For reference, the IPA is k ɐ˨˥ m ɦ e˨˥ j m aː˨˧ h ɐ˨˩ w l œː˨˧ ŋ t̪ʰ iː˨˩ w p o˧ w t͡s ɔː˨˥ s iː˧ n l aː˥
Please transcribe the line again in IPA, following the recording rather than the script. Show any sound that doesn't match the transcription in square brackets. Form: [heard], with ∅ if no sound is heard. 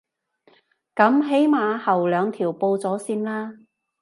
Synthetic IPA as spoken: k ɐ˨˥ m ɦ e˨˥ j m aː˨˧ h ɐ˨˩ w l œː˨˧ ŋ t̪ʰ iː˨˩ w p o˧ w t͡s ɔː˨˥ s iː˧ n l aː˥